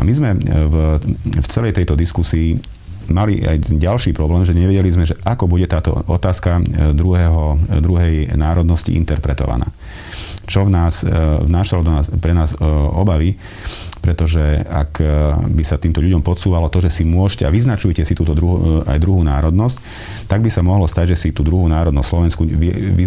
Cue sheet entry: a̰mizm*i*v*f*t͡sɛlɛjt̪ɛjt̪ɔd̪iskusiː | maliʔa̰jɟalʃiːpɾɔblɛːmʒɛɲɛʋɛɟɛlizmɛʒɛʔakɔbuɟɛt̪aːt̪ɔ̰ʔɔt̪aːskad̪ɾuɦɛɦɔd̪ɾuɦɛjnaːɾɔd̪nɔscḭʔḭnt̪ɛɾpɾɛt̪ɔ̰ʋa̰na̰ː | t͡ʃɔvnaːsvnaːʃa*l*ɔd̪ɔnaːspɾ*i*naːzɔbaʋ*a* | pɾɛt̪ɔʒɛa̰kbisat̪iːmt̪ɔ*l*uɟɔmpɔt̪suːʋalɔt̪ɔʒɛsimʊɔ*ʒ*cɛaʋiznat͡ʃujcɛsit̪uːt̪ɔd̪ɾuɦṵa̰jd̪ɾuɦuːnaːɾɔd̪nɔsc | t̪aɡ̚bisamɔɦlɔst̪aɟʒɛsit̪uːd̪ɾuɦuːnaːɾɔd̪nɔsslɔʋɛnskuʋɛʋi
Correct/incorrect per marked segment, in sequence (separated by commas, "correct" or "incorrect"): incorrect, correct, correct, incorrect, incorrect, incorrect, incorrect